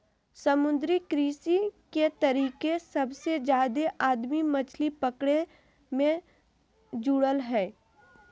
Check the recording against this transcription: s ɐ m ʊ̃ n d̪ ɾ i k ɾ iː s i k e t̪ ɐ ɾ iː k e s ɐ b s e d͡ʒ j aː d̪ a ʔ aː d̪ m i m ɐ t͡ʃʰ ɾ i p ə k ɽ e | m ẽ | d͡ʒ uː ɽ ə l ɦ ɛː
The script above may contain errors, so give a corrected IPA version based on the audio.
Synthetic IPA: s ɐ m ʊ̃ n d̪ ɾ i k ɾ iː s i k e t̪ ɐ ɾ iː k e s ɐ b s e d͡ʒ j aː d̪ e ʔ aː d̪ m i m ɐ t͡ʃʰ l i p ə k ɽ e | m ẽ | d͡ʒ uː ɽ ə l ɦ ɛː